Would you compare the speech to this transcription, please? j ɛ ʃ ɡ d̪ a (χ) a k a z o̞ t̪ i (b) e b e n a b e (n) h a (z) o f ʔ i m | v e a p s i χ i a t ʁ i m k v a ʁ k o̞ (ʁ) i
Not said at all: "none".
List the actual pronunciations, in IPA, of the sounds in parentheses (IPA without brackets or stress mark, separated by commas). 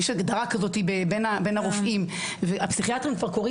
ʁ, b, n, ʁ, ʁ